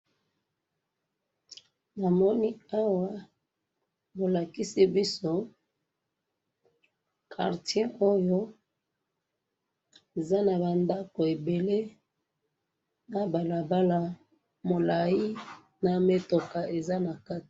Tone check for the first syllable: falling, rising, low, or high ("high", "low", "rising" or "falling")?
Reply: low